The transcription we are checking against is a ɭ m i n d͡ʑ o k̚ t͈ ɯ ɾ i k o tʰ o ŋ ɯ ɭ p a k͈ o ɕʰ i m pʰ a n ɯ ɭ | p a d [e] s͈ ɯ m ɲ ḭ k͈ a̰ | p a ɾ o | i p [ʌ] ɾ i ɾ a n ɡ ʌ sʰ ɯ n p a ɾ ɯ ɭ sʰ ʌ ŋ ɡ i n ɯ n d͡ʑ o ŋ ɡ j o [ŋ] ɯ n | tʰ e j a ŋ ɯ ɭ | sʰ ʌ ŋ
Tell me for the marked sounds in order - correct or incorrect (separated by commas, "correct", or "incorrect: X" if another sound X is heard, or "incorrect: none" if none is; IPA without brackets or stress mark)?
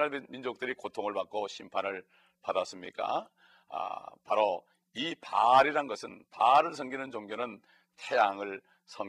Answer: incorrect: a, incorrect: a, incorrect: n